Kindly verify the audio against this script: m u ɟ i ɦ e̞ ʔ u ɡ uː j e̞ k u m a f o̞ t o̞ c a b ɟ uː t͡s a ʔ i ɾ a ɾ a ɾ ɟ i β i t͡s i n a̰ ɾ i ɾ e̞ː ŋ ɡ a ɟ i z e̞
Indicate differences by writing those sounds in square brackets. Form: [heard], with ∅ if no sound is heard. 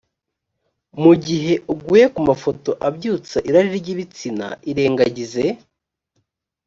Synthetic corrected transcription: m u ɟ i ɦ e̞ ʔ u ɡ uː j e̞ k u m a f o̞ t o̞ [ʔ] a b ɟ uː t͡s a ʔ i ɾ a ɾ [i] ɾ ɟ i β i t͡s i n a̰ [∅] i ɾ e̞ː ŋ ɡ a ɟ i z e̞